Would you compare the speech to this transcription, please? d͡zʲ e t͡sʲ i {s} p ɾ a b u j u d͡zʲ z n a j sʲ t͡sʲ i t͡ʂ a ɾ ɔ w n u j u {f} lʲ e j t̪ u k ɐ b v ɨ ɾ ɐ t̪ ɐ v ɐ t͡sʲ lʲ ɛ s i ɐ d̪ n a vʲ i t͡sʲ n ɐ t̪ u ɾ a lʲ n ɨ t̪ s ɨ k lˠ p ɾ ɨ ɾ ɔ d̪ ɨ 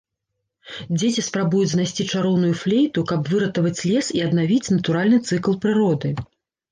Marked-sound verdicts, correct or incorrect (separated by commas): correct, correct